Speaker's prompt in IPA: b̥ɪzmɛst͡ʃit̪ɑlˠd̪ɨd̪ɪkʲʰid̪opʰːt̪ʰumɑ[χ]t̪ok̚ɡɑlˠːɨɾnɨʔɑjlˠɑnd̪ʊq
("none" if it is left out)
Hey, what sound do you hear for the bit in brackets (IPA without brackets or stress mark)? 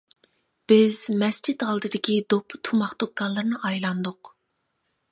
χ